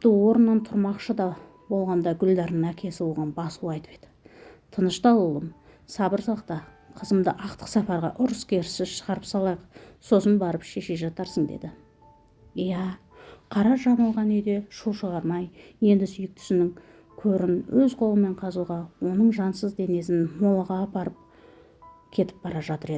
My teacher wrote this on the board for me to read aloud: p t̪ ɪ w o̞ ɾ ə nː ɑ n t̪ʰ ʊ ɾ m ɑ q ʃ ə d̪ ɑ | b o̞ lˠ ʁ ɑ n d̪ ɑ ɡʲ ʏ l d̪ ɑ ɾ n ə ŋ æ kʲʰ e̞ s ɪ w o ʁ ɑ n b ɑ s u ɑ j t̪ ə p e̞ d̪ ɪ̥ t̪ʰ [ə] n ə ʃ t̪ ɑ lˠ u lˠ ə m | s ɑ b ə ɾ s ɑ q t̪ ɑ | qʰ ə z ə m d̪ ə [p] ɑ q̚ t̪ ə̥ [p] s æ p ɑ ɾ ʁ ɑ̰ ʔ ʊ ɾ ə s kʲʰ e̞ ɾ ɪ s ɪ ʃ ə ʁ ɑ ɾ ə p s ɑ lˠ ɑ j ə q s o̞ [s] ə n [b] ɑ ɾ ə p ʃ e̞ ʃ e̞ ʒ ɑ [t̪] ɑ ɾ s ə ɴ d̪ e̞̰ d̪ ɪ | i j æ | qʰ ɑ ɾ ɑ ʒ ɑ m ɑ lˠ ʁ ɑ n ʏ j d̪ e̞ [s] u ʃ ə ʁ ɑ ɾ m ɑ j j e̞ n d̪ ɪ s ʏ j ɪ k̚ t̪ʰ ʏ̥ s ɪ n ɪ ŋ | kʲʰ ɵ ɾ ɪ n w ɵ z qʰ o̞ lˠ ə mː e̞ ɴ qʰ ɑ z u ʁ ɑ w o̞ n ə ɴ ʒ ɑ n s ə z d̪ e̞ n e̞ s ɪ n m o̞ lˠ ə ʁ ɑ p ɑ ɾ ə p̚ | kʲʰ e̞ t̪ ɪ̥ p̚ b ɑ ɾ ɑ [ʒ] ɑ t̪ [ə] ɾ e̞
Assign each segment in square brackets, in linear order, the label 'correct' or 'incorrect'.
correct, incorrect: ʔ, incorrect: q, correct, correct, correct, incorrect: ʃ, correct, correct

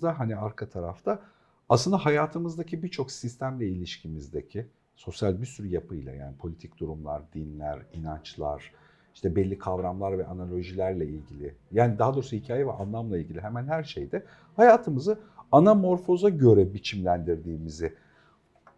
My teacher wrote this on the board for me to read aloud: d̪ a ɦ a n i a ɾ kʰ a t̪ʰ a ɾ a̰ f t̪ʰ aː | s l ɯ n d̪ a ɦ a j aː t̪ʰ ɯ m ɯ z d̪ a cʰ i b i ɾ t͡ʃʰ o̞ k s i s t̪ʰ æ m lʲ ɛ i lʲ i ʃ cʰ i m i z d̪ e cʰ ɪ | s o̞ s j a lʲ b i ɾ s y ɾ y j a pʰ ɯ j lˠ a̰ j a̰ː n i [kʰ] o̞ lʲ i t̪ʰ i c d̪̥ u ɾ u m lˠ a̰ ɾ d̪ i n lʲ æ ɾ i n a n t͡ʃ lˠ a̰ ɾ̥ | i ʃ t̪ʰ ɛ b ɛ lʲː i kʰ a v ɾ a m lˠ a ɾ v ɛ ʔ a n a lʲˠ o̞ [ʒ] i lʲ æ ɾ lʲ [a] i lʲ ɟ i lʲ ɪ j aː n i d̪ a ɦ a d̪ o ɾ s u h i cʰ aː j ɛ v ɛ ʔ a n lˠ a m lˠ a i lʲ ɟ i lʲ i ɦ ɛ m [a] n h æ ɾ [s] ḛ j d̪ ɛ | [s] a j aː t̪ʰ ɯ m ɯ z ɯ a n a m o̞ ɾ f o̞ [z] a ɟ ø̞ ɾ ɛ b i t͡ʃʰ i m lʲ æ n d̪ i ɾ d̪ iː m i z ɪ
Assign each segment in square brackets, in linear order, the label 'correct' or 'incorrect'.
incorrect: pʰ, correct, incorrect: ɛ, incorrect: æ, incorrect: ʃ, incorrect: h, correct

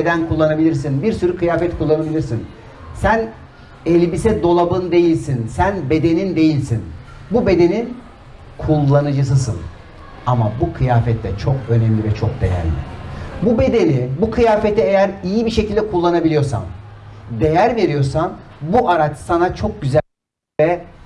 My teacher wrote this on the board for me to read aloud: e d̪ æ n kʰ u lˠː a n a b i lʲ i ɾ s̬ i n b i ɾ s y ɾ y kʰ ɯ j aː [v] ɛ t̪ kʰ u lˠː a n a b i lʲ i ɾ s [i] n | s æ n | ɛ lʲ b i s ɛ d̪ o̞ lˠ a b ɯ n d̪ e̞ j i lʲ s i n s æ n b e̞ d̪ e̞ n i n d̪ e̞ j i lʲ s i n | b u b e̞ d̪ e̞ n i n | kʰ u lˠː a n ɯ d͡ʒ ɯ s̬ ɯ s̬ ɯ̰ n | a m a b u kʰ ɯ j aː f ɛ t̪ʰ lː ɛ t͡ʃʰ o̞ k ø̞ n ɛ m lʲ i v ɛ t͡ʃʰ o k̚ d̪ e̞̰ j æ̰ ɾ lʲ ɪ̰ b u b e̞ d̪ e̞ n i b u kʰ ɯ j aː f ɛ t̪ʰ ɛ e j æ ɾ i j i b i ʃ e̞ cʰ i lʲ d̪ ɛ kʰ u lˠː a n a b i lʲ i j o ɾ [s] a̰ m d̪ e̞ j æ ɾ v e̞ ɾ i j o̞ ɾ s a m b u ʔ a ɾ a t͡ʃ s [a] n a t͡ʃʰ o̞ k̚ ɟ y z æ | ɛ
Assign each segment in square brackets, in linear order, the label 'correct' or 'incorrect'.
incorrect: f, correct, correct, correct

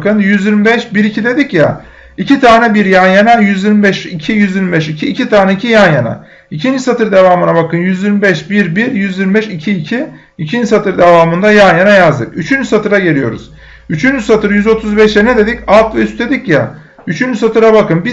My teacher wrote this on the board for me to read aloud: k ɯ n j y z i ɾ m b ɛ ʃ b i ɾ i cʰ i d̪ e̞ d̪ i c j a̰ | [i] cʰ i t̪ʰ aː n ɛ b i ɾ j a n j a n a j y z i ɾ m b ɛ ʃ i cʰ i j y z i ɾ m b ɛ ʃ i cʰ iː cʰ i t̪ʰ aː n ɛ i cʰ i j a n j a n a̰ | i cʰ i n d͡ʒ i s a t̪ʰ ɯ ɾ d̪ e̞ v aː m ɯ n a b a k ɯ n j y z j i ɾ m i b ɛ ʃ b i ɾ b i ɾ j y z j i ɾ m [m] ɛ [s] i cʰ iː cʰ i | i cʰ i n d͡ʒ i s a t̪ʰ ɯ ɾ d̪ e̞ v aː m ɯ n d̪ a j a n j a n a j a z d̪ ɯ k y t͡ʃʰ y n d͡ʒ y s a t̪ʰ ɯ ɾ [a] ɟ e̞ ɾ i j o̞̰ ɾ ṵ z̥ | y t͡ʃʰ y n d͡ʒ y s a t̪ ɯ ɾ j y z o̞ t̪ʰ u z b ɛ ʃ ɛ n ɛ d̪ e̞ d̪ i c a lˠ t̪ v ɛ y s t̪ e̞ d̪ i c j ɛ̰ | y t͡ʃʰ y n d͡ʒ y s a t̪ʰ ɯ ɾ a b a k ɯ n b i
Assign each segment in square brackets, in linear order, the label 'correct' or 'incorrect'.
correct, incorrect: b, incorrect: ʃ, correct

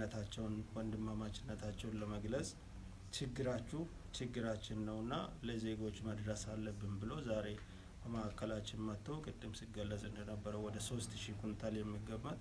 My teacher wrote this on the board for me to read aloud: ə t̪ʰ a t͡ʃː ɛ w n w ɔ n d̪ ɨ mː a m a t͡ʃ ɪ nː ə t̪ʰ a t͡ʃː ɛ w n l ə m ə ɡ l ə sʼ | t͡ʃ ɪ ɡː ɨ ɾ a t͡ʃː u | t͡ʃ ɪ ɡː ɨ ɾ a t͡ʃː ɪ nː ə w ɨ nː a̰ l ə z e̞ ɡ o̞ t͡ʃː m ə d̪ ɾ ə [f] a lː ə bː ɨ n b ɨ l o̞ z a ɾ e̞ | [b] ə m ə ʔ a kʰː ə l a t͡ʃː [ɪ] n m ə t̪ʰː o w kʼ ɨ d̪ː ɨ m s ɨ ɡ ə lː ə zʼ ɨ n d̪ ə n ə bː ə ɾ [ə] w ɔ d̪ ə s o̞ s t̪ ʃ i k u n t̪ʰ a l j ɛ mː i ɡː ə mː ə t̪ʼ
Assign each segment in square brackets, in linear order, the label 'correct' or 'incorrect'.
incorrect: s, correct, correct, correct

